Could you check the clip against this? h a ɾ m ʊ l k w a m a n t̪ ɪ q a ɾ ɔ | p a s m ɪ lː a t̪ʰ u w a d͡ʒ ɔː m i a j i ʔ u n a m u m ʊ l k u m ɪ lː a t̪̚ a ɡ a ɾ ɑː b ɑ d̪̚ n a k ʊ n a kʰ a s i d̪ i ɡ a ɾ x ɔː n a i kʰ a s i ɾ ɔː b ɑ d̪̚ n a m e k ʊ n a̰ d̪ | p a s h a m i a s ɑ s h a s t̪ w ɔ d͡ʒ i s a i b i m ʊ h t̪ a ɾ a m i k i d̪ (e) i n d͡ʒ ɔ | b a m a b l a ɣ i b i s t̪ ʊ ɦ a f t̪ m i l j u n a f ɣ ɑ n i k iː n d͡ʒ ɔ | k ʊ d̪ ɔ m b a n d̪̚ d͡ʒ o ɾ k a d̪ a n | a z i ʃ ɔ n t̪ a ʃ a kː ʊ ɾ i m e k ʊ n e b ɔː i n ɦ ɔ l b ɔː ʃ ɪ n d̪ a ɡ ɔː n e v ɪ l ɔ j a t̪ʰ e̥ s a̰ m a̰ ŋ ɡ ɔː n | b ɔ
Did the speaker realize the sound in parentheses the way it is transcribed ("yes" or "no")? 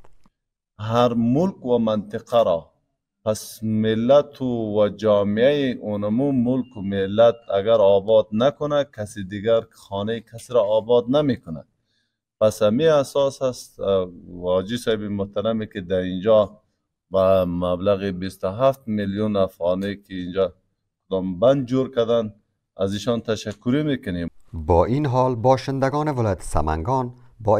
no